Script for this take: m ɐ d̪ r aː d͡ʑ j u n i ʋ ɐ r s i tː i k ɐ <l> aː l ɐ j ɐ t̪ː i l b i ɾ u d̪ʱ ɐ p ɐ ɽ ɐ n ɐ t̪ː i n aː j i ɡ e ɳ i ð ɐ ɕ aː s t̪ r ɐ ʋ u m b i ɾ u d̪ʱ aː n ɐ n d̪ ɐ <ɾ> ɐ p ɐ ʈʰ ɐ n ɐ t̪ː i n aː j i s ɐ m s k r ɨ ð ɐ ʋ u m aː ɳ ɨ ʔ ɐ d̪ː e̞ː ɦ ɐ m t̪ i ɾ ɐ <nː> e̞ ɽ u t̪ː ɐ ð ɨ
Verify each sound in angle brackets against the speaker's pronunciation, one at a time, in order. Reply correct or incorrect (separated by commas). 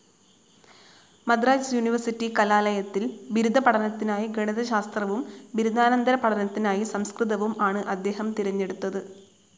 correct, correct, incorrect